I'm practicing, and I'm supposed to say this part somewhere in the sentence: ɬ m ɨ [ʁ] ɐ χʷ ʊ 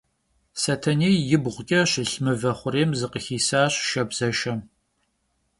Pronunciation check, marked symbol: incorrect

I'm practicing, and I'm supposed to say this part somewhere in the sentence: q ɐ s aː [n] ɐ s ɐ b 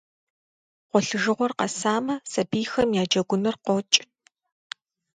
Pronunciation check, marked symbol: incorrect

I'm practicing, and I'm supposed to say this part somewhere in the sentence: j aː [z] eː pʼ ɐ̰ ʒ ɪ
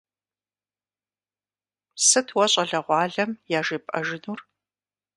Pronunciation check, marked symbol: incorrect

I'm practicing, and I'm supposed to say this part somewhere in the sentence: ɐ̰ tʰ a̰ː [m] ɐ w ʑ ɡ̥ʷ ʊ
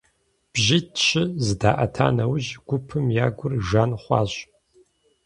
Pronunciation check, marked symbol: incorrect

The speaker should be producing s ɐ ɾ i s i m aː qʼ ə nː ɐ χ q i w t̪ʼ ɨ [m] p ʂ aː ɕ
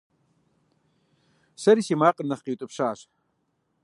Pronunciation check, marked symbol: incorrect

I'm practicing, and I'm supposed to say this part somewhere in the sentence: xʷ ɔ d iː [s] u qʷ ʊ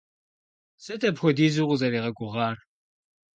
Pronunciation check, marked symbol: incorrect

